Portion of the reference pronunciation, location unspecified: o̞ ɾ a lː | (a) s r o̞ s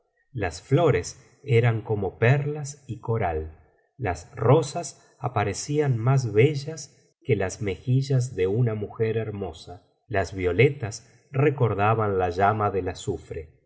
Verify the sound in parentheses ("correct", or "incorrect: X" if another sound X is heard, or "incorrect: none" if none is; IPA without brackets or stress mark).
correct